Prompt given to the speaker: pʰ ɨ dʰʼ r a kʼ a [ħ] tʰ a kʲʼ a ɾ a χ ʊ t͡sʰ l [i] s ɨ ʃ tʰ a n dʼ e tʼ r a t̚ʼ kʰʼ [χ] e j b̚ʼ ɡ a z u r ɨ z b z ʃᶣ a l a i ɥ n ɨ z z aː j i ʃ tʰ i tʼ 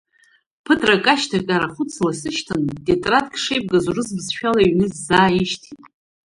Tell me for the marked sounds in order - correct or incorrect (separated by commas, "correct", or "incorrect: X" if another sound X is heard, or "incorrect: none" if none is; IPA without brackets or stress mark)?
incorrect: ʃ, incorrect: a, incorrect: ʂ